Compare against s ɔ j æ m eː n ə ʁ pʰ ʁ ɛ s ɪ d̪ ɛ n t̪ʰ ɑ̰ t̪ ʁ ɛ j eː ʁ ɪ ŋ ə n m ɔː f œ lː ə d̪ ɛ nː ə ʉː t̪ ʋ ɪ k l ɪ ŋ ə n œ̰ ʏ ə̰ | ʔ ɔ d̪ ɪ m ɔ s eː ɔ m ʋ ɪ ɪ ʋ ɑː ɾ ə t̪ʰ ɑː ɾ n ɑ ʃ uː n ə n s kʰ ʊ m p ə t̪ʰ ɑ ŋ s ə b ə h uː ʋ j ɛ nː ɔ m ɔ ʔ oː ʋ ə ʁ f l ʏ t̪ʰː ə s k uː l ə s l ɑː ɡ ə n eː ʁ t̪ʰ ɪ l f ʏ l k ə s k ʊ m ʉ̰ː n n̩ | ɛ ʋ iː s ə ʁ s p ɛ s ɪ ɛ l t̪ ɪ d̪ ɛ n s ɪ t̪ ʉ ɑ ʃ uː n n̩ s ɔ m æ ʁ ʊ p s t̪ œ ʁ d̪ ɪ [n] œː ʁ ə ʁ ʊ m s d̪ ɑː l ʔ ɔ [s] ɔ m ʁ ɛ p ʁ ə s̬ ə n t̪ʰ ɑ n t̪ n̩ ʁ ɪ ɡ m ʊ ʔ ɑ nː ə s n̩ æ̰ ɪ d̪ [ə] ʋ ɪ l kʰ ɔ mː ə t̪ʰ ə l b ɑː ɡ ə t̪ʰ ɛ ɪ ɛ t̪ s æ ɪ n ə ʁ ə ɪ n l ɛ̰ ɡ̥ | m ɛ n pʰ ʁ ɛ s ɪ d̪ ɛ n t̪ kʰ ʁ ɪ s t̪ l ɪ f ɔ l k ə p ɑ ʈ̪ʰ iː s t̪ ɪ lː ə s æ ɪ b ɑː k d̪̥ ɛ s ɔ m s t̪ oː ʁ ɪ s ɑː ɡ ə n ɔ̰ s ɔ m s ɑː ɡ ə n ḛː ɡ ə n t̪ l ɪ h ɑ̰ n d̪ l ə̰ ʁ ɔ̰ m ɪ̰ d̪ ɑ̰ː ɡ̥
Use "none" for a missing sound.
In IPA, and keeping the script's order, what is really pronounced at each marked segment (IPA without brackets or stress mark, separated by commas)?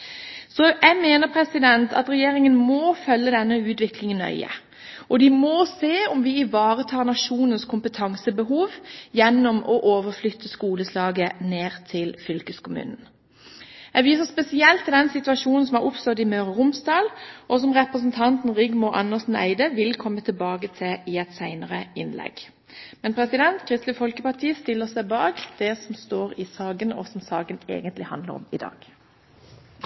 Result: m, s, ə